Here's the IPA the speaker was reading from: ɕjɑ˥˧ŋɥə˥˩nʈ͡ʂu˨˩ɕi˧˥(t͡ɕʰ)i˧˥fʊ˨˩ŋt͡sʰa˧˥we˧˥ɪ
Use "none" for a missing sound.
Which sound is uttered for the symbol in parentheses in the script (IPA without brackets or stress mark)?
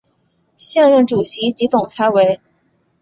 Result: t͡ɕ